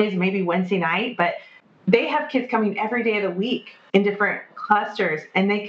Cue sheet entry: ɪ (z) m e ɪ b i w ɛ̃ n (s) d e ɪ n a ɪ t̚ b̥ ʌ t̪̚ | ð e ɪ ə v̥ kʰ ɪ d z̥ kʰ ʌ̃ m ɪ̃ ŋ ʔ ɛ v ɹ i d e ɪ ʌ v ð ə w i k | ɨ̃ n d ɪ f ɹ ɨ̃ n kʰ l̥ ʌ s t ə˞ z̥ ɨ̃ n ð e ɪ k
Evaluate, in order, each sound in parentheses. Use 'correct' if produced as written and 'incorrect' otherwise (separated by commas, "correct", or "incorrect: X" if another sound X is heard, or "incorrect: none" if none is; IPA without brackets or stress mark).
correct, incorrect: z